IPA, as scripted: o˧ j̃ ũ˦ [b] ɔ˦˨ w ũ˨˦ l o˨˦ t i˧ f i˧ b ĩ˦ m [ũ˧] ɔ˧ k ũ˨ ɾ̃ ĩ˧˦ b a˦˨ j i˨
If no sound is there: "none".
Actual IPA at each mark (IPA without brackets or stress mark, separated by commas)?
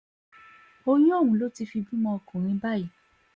none, ɔ̃˧